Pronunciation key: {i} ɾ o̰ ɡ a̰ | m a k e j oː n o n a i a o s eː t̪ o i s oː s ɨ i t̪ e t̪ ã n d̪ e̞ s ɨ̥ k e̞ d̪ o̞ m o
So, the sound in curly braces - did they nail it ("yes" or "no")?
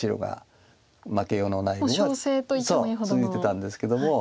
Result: yes